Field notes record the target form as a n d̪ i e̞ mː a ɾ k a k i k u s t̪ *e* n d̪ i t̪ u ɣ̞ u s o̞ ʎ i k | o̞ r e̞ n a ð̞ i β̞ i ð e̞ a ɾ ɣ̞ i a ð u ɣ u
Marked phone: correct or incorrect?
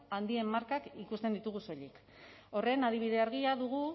correct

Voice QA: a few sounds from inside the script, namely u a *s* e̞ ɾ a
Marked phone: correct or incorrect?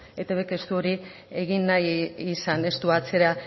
incorrect: t͡s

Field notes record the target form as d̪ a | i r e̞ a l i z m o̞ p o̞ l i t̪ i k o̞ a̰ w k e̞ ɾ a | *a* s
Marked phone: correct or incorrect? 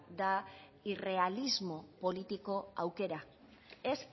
incorrect: e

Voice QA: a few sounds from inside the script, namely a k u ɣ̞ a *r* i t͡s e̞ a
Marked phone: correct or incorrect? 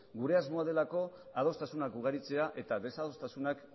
incorrect: ɾ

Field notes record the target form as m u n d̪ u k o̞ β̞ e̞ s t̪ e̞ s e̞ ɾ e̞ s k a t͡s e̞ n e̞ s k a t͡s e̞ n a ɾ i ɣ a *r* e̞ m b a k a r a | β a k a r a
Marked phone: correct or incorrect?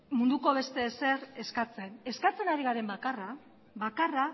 incorrect: ɾ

